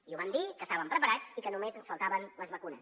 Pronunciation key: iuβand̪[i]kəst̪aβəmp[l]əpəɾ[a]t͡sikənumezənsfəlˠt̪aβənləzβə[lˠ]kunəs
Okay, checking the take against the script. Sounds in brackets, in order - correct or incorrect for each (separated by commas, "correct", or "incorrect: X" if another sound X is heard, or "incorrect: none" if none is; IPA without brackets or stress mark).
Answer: correct, incorrect: ɾ, correct, incorrect: none